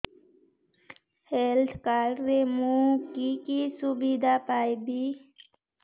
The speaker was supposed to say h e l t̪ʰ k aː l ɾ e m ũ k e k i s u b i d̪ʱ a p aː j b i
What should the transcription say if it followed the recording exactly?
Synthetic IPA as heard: h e l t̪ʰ k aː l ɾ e m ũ k i k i s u b i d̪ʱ a p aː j b i

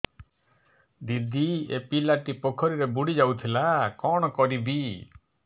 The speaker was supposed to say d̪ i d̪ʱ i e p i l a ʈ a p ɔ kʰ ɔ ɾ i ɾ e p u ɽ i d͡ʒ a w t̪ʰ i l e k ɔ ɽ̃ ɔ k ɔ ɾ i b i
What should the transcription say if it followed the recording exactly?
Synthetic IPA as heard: d̪ i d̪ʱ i e p i l a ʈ i p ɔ kʰ ɔ ɾ i ɾ e b u ɽ i d͡ʒ a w t̪ʰ i l a k ɔ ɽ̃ ɔ k ɔ ɾ i b i

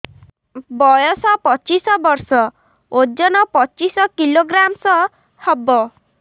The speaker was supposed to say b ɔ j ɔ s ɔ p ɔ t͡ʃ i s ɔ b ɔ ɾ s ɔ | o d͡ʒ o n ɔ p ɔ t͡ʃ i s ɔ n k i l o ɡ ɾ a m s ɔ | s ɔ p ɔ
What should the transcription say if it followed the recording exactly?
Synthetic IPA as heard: b ɔ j ɔ s ɔ p ɔ t͡ʃ i s ɔ b ɔ ɾ s ɔ | o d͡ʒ ɔ n ɔ p ɔ t͡ʃ i s ɔ k i l o ɡ ɾ a m s ɔ | h ɔ b ɔ

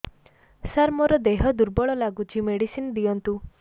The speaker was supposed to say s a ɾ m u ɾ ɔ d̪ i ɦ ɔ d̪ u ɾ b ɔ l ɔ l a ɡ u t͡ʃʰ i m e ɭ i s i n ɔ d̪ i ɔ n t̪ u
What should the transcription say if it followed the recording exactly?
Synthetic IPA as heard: s a ɾ m ɔ ɾ ɔ d̪ e ɦ ɔ d̪ u ɾ b ɔ ɭ ɔ l a ɡ u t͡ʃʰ i m e ɽ i s i n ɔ d̪ i ɔ n t̪ u

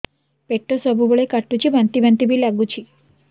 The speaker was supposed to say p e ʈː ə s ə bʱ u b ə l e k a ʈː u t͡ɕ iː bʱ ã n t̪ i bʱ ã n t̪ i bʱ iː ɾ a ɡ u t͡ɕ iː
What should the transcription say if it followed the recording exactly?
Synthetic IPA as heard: p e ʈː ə s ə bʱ u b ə ɭ e k a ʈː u t͡ɕ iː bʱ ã n t̪ i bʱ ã n t̪ i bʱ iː l a ɡ u t͡ɕ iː

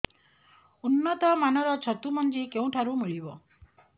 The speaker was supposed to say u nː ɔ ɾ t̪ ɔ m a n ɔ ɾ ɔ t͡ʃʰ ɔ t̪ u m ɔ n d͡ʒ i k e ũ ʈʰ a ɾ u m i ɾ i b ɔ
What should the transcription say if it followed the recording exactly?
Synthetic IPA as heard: u nː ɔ t̪ ɔ m a n ɔ ɾ ɔ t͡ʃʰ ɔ t̪ u m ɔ n d͡ʒ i k e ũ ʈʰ a ɾ u m i ɭ i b ɔ

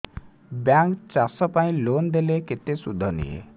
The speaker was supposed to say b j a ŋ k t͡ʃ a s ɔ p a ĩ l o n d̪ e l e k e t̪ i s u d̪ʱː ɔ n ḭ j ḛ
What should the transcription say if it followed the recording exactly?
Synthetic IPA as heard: b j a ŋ k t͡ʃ a s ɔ p a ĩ l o n d̪ e l e k e t̪ e s u d̪ʱː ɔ n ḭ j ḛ

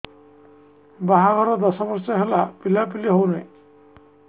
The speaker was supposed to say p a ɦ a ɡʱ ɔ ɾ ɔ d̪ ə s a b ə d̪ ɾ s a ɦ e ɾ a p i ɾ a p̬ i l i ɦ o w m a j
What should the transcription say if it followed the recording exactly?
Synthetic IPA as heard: b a ɦ a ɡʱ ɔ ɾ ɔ d̪ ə s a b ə ɾ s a ɦ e l a p i l a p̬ i l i ɦ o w n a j

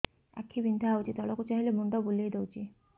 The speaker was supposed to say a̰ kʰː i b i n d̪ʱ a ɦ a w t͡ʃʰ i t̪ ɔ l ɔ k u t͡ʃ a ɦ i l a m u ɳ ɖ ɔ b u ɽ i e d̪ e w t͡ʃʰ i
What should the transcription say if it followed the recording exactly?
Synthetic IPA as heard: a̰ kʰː i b i n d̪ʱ a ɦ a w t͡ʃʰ i t̪ ɔ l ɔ k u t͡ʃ a ɦ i l e m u ɳ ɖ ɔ b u l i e d̪ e w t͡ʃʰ i

